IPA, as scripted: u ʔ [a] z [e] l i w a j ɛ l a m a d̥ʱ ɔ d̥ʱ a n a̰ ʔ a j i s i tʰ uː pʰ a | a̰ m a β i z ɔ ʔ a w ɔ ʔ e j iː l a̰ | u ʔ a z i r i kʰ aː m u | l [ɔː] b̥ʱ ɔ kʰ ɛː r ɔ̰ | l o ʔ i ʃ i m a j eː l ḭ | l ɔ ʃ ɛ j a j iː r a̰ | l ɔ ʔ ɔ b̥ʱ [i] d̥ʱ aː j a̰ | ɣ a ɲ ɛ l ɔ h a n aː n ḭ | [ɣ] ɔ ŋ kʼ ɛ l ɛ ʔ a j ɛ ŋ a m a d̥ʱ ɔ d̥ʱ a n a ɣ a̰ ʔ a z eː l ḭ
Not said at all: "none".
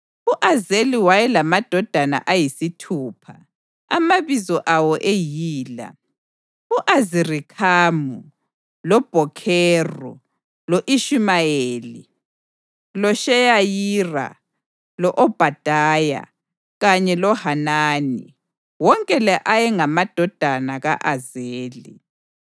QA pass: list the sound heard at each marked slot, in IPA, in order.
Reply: a, e, ɔ, a, w

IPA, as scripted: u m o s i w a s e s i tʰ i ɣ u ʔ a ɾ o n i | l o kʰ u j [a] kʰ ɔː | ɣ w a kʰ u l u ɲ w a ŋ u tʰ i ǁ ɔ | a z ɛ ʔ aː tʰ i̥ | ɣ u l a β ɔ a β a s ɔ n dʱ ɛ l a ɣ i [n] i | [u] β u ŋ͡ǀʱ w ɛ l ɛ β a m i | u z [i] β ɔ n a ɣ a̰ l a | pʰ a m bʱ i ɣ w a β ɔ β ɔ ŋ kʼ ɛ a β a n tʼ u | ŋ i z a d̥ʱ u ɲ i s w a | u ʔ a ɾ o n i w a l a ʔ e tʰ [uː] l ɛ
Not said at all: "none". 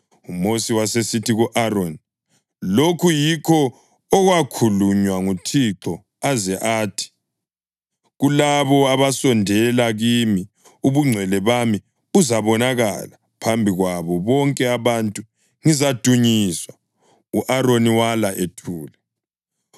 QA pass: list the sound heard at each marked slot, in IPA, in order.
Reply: i, m, u, a, uː

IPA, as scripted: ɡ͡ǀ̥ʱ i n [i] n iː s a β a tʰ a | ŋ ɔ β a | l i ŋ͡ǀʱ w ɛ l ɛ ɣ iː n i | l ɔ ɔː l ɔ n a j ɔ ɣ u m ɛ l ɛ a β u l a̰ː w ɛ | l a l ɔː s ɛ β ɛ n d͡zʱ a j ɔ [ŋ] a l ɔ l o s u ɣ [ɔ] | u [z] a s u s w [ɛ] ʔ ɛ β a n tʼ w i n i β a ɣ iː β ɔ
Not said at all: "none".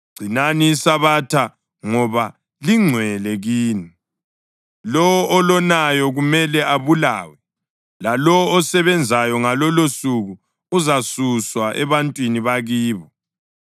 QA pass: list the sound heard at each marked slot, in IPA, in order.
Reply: a, ŋ, u, z, a

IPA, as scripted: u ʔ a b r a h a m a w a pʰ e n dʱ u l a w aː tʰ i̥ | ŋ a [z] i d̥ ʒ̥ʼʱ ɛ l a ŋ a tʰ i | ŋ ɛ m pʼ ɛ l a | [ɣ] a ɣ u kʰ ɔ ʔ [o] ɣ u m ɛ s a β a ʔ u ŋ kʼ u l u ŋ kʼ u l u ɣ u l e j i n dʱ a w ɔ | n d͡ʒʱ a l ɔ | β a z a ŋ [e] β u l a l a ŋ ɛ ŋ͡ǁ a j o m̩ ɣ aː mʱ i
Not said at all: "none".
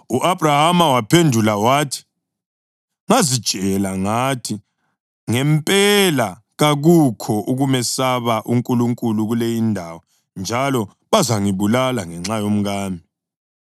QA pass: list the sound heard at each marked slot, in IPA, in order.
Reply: z, ɣ, u, i

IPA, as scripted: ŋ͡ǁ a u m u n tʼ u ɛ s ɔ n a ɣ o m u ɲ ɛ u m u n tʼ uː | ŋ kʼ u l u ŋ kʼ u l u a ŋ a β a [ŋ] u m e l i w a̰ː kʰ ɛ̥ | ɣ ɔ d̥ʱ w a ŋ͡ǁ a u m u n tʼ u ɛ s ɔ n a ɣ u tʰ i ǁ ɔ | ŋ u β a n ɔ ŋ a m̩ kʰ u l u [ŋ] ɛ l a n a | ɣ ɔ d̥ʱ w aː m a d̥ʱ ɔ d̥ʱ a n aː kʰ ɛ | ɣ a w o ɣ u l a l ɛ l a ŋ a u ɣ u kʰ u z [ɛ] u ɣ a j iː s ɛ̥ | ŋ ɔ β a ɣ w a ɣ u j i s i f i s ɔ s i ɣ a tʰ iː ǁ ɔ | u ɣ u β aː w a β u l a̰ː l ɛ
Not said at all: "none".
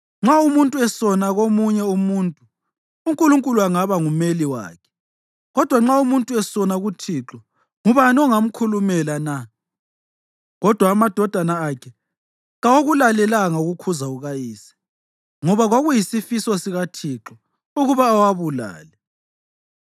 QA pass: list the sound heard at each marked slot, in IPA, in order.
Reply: ŋ, m, a

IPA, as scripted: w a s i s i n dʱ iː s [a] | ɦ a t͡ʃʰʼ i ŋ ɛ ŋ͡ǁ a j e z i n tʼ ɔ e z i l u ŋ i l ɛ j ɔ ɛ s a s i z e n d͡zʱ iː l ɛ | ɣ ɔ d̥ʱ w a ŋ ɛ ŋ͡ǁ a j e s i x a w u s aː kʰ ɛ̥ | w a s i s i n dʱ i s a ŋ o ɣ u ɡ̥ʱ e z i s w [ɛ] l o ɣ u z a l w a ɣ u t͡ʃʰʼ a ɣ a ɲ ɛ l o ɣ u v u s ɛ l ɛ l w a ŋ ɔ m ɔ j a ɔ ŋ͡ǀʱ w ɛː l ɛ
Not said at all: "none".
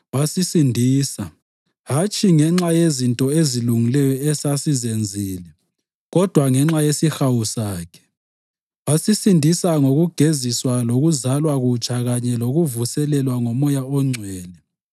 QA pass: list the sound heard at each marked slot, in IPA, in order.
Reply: a, a

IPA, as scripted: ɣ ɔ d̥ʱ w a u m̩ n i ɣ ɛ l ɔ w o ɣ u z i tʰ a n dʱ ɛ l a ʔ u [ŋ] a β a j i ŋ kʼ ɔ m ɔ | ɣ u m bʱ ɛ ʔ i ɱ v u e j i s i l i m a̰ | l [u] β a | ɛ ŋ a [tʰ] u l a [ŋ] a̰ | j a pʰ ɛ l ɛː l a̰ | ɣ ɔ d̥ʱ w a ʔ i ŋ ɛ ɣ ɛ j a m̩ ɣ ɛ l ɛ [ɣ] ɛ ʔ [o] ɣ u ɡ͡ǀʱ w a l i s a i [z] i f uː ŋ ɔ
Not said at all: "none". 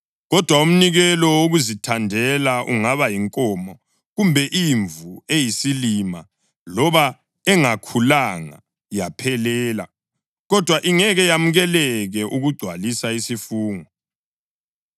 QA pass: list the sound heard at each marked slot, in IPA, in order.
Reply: ŋ, ɔ, kʰ, ŋ, ɣ, u, s

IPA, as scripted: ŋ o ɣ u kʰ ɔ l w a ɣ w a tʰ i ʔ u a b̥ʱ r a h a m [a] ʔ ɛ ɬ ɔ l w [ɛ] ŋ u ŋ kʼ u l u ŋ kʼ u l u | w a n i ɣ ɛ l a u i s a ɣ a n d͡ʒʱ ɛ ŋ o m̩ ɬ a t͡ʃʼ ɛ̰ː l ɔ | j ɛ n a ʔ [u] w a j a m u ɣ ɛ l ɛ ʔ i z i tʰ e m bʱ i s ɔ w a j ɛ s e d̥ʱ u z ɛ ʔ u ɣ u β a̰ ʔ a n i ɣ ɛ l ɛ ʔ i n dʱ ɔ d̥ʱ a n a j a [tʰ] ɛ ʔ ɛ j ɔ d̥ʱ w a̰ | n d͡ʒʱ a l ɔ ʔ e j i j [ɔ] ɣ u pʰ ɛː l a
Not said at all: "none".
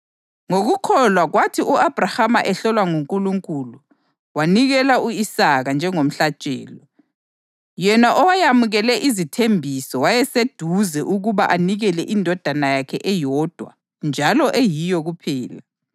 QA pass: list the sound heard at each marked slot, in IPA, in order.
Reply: a, a, ɔ, kʰ, ɔ

